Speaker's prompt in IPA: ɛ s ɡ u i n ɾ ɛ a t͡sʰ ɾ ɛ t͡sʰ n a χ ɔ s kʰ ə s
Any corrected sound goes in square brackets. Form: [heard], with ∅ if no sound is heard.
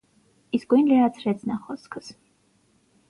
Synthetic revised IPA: [i] s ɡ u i n [l] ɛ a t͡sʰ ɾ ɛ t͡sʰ n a χ ɔ s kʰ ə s